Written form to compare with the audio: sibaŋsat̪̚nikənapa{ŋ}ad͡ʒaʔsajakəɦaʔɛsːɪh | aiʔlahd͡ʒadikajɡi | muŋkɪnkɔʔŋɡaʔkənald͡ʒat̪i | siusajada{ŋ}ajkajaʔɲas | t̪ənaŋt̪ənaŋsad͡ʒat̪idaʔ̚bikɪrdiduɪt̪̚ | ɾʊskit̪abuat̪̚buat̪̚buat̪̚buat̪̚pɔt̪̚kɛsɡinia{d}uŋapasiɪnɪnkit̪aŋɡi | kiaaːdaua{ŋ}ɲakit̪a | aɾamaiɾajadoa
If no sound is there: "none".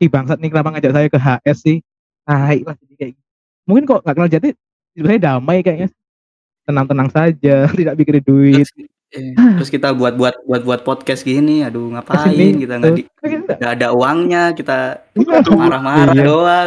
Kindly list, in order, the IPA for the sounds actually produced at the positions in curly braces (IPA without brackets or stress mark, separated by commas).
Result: ŋ, m, d, ŋ